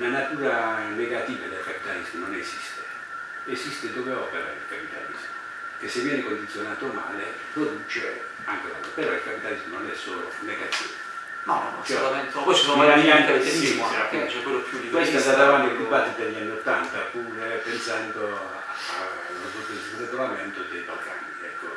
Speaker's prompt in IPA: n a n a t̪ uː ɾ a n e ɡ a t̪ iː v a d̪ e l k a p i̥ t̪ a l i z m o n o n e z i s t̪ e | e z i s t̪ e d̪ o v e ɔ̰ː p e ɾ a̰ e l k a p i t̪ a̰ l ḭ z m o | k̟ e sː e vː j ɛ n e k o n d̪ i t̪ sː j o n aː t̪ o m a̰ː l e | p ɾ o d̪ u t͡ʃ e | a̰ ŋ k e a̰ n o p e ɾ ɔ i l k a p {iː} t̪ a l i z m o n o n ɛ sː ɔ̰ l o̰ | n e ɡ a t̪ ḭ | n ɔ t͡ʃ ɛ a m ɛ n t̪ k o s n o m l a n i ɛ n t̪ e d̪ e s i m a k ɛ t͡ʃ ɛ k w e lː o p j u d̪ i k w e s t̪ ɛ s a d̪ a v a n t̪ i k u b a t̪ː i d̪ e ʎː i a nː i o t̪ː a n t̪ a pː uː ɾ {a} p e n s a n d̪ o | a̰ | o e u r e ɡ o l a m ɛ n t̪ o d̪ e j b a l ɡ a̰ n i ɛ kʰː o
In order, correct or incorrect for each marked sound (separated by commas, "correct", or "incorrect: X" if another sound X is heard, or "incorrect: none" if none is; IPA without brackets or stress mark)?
incorrect: i, incorrect: e